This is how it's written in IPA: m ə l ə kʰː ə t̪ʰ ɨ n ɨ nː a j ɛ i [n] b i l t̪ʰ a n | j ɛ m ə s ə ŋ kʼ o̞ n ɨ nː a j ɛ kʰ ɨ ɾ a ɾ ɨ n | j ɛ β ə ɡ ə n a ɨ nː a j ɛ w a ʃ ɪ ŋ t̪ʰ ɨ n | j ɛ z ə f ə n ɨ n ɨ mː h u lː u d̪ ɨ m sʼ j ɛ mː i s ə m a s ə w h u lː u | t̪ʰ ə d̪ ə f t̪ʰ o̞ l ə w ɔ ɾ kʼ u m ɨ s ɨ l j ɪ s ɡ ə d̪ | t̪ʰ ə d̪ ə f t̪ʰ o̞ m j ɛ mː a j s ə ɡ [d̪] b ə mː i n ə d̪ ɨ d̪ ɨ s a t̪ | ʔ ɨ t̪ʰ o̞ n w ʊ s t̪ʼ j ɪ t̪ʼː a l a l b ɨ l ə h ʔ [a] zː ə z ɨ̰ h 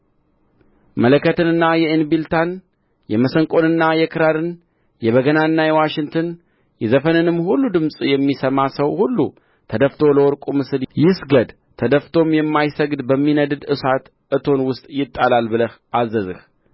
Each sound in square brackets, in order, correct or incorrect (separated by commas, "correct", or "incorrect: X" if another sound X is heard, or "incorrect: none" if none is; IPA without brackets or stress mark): correct, correct, correct